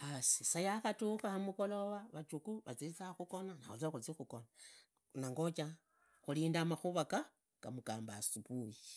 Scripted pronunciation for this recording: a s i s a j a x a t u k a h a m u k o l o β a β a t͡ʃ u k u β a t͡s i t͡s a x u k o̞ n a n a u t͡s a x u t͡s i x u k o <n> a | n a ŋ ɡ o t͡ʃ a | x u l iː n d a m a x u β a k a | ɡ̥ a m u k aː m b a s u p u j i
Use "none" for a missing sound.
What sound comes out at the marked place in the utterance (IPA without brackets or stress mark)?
n